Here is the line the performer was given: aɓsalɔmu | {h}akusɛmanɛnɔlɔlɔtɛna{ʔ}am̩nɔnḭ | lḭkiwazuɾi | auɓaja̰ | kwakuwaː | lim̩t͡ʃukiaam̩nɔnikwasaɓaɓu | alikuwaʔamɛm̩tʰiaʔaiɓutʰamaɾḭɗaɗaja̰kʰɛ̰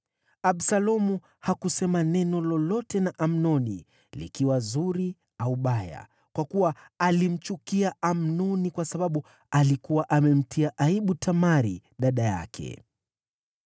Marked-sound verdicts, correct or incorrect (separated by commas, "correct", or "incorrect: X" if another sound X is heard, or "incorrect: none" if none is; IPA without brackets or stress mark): correct, correct